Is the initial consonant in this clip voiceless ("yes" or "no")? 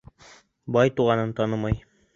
no